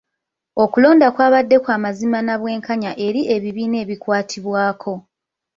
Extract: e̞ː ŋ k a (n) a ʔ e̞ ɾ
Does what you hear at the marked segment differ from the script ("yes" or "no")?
yes